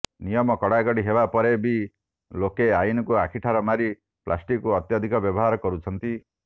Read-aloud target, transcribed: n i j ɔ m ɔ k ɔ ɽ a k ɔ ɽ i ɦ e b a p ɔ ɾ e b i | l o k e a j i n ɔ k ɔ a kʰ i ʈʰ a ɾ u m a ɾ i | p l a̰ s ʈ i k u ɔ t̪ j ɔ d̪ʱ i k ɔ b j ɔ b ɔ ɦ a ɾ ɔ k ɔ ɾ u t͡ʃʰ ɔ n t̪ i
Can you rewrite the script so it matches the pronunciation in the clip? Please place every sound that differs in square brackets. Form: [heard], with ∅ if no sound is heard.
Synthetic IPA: n i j ɔ m ɔ k ɔ ɽ a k ɔ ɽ i ɦ e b a p ɔ ɾ e b i | l o k e a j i n ɔ k [u] a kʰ i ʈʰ a ɾ [ɔ] m a ɾ i | p l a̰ s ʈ i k u ɔ t̪ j ɔ d̪ʱ i k ɔ b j ɔ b ɔ ɦ a ɾ ɔ k ɔ ɾ u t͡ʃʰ ɔ n t̪ i